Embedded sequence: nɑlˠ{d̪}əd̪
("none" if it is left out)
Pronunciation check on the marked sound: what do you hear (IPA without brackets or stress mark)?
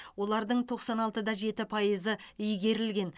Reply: t̪